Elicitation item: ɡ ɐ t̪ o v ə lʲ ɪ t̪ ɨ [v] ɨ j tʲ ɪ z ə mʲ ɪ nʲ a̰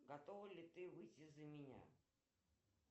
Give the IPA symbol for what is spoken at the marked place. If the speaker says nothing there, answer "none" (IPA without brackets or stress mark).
v